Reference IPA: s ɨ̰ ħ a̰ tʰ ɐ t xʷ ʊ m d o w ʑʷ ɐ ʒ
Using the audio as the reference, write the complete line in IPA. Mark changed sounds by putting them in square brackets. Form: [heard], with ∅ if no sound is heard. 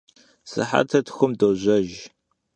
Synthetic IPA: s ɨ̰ ħ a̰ tʰ ɐ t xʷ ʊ m d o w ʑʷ ɐ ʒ